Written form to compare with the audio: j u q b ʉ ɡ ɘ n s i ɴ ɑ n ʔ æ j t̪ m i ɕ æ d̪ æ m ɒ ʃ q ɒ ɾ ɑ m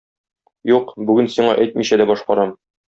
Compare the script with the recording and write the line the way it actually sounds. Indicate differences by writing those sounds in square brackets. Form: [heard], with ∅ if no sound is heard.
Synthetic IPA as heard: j u q b ʉ ɡ ɘ n s i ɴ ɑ [∅] ʔ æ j t̪ m i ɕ æ d̪ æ [b] ɒ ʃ q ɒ ɾ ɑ m